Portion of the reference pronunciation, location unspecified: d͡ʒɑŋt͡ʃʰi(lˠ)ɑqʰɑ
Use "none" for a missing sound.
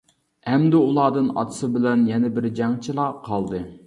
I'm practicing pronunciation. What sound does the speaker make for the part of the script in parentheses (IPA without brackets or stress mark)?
lˠ